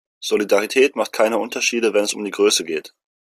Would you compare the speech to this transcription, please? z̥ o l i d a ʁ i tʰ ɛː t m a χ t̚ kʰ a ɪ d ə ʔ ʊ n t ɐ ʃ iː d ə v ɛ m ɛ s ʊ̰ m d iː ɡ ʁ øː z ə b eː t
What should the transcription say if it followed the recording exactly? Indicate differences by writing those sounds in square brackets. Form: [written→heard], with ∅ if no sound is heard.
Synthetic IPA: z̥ o l i d a ʁ i tʰ ɛː t m a χ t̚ kʰ a ɪ [d→n] ə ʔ ʊ n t ɐ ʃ iː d ə v ɛ [m→n] ɛ s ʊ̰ m d iː ɡ ʁ øː [z→s] ə [b→ɡ] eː t